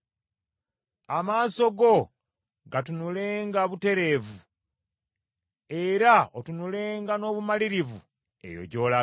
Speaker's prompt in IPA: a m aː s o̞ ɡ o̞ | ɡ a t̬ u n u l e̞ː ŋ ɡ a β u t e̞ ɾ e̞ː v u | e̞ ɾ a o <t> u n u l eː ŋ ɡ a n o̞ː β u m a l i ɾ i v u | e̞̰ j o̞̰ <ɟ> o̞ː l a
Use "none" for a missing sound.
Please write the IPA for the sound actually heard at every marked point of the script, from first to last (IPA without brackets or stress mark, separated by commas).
t, ɟ